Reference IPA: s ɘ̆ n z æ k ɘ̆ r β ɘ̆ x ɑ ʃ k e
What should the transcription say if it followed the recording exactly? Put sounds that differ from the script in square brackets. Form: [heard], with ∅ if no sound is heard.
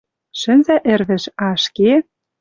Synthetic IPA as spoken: [ʃ] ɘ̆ n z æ [ʔ] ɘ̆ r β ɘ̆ [ʃ] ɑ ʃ k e